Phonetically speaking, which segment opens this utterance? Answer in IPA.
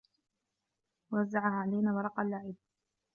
w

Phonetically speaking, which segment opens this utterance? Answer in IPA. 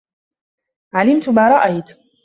ʕ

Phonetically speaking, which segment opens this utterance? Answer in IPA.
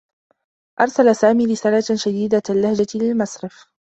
ʔ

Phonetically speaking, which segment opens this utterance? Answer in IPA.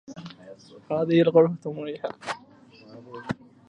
h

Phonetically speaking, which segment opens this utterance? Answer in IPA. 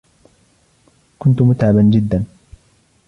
k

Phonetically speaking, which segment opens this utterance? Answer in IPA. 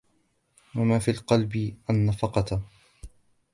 w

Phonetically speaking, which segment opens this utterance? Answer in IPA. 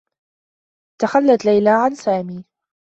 t̪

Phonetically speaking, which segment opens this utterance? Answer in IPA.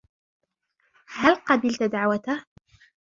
h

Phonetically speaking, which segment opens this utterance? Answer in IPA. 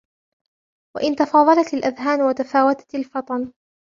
w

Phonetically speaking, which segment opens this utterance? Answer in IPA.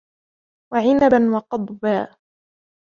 w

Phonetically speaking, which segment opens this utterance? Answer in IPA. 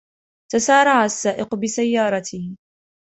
t̪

